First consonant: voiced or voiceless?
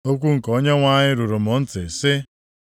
voiceless